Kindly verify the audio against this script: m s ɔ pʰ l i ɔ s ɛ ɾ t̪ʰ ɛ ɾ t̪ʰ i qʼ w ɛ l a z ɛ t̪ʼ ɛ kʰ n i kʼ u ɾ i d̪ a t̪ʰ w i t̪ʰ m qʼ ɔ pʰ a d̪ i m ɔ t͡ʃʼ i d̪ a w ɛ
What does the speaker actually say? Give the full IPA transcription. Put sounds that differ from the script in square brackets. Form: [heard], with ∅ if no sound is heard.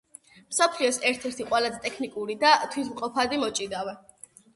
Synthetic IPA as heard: m s ɔ pʰ l i ɔ s ɛ ɾ t̪ʰ ɛ ɾ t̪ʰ i qʼ w ɛ l a z ɛ t̪ʼ ɛ kʰ n i kʼ u ɾ i d̪ a t̪ʰ w i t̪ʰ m qʼ ɔ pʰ a d̪ i m ɔ t͡ʃʼ i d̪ a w ɛ